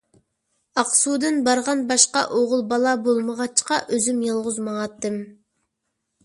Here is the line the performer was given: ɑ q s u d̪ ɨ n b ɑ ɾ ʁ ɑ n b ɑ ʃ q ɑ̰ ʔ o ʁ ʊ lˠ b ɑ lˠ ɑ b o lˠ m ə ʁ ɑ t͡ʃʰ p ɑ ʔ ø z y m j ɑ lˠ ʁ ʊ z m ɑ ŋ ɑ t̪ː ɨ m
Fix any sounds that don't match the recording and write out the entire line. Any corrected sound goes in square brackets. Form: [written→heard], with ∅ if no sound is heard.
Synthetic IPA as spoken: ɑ q s u d̪ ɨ n b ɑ ɾ ʁ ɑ n b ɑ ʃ q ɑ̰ ʔ o ʁ ʊ lˠ b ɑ lˠ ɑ b o lˠ m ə ʁ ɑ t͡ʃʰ [p→q] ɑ ʔ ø z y m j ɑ lˠ ʁ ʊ z m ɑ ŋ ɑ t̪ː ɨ m

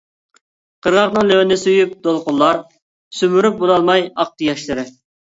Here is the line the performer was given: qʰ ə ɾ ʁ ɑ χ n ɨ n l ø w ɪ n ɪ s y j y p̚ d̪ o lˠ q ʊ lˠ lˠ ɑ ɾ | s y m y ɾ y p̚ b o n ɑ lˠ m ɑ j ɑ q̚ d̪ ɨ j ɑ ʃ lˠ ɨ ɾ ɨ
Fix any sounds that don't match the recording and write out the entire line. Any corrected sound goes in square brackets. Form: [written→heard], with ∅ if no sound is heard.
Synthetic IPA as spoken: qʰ ə ɾ ʁ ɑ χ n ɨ [n→ŋ] l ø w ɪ n ɪ s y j y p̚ d̪ o lˠ q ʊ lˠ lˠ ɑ ɾ | s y m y ɾ y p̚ b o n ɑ lˠ m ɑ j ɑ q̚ [d̪→t̪] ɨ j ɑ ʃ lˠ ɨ ɾ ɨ

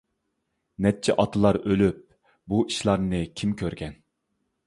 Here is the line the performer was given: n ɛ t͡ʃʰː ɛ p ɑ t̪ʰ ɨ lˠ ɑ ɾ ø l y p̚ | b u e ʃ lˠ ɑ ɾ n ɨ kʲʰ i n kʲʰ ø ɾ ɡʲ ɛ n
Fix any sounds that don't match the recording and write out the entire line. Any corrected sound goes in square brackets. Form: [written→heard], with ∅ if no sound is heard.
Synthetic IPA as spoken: n ɛ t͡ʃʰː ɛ [p→ʔ] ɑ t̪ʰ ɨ lˠ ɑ ɾ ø l y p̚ | b u [e→i] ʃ lˠ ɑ ɾ n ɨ kʲʰ i [n→m] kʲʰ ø ɾ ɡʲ ɛ n

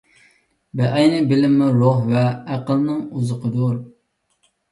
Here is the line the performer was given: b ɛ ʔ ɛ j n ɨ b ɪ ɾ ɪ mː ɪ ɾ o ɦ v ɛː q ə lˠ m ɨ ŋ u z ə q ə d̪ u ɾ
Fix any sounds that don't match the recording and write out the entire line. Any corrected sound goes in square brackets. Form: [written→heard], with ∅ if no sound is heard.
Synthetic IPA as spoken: b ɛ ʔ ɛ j n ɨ b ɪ [ɾ→l] ɪ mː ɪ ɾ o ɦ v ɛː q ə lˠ [m→n] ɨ ŋ u z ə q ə d̪ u ɾ

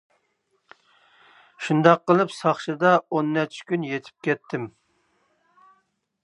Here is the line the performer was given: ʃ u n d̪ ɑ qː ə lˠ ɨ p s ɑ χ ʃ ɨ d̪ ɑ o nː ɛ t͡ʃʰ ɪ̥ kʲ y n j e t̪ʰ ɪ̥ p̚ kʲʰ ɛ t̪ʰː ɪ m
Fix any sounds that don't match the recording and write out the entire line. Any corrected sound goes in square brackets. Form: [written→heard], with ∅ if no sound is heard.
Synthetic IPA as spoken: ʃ u n d̪ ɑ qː ə lˠ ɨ p s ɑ χ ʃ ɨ d̪ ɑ o nː ɛ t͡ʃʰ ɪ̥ kʲ y n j e t̪ʰ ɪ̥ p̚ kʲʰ ɛ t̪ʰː ɪ m

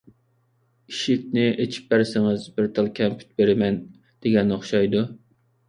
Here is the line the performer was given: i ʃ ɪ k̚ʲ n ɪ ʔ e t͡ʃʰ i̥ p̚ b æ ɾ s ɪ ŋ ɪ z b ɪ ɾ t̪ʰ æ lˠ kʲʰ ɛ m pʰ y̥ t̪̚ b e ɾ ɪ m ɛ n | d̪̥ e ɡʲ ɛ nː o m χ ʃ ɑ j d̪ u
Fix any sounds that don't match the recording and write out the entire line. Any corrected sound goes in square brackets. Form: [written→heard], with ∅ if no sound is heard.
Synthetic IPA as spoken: i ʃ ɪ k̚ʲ n ɪ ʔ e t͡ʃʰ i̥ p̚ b æ ɾ s ɪ ŋ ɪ z b ɪ ɾ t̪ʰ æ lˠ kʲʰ ɛ m pʰ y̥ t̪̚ b e ɾ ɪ m ɛ n | d̪̥ e ɡʲ ɛ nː o [m→∅] χ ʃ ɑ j d̪ u

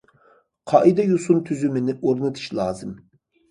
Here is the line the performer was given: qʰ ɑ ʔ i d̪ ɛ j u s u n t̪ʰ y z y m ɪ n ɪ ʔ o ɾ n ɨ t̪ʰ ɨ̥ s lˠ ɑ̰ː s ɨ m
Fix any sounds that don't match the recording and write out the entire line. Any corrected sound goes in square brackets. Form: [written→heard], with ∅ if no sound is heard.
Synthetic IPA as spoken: qʰ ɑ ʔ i d̪ ɛ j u s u n t̪ʰ y z y m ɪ n ɪ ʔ o ɾ n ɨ t̪ʰ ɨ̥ [s→ʃ] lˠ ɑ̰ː [s→z] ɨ m

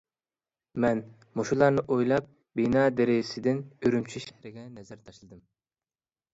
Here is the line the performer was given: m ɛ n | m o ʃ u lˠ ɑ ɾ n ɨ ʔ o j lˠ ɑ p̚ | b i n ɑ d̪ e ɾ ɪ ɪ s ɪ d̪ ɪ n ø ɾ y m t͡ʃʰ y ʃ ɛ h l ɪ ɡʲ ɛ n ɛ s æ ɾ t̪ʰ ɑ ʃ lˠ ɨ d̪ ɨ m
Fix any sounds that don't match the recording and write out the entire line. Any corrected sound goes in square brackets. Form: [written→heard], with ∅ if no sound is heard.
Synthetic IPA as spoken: m ɛ n | m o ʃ u lˠ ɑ ɾ n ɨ ʔ o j lˠ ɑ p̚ | b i n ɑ d̪ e ɾ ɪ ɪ s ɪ d̪ ɪ n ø ɾ y m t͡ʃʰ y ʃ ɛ h [l→ɾ] ɪ ɡʲ ɛ n ɛ [s→z] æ ɾ t̪ʰ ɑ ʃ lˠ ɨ d̪ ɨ m

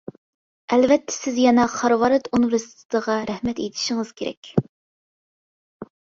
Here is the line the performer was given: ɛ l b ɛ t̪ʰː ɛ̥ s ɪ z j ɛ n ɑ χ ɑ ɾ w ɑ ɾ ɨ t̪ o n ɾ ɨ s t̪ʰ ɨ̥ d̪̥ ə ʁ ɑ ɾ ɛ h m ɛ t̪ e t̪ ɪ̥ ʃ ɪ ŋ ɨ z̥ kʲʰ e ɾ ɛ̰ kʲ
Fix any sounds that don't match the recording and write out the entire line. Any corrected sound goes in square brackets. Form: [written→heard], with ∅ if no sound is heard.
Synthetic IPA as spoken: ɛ l [b→v] ɛ t̪ʰː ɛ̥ s ɪ z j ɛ n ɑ χ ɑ ɾ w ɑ ɾ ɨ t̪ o n ɾ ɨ s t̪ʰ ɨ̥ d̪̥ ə ʁ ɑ ɾ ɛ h m ɛ t̪ e [t̪→t̪ʰ] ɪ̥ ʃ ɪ ŋ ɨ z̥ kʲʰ e ɾ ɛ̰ kʲ

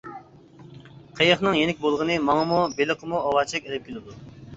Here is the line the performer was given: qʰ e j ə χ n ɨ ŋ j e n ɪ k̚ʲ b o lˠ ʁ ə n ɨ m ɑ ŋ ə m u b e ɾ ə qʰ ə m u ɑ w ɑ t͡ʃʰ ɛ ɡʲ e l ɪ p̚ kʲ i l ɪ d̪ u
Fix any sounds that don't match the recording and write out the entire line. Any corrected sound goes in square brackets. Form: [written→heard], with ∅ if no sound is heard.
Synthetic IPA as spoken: qʰ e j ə χ n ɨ ŋ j e n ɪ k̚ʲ b o lˠ ʁ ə n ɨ m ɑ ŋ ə m u b e [ɾ→l] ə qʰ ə m u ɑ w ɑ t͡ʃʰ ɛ [ɡʲ→kʲ] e l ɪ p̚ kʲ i l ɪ d̪ u

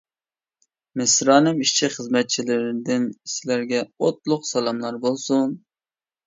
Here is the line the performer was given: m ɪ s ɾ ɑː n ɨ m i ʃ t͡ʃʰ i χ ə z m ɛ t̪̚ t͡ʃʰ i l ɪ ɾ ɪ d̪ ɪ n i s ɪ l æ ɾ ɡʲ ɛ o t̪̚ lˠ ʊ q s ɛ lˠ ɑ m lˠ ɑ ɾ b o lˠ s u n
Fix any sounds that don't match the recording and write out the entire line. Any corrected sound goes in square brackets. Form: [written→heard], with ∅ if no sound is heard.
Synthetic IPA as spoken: m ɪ s ɾ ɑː n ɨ m i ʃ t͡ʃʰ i χ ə z m ɛ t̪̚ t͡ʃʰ i l ɪ ɾ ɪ d̪ ɪ n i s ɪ l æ ɾ ɡʲ ɛ o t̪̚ lˠ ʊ q s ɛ lˠ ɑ m lˠ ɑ ɾ b o lˠ s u n

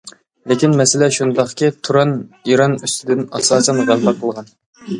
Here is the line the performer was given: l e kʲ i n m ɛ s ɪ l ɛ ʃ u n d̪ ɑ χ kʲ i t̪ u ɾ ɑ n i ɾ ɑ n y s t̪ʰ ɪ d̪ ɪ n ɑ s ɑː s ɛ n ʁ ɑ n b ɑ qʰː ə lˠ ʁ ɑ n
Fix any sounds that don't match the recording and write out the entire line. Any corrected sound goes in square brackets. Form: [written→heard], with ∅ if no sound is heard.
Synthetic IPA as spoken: l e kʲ i n m ɛ s ɪ l ɛ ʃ u n d̪ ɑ χ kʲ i [t̪→t̪ʰ] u ɾ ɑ n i ɾ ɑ n y s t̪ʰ ɪ d̪ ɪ n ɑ s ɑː s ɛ n ʁ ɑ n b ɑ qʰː ə lˠ ʁ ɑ n

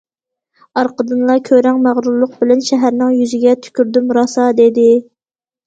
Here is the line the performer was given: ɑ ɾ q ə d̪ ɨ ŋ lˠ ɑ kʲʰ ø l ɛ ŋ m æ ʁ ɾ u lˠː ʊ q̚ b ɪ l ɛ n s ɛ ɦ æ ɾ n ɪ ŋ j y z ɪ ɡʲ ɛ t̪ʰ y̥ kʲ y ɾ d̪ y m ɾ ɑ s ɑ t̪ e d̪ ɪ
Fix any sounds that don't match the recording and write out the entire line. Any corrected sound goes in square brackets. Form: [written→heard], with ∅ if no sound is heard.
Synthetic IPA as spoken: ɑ ɾ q ə d̪ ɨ [ŋ→n] lˠ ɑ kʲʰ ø [l→ɾ] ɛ ŋ m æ ʁ ɾ u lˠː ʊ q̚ b ɪ l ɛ n [s→ʃ] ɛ ɦ æ ɾ n ɪ ŋ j y z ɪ ɡʲ ɛ t̪ʰ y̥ kʲ y ɾ d̪ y m ɾ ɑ s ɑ [t̪→d̪] e d̪ ɪ

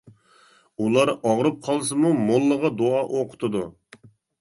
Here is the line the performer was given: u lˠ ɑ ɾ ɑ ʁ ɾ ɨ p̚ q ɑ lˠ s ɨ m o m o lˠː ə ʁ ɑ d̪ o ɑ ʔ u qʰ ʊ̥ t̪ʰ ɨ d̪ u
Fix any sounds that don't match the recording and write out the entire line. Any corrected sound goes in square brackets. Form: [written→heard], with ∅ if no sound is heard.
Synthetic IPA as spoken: u lˠ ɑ ɾ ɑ ʁ ɾ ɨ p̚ [q→qʰ] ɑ lˠ s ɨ m [o→u] m o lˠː ə ʁ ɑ d̪ o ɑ ʔ [u→o] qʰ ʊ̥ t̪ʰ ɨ d̪ u

